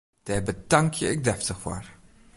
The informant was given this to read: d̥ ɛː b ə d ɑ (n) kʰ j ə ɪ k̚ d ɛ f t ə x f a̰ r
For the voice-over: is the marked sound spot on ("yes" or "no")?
no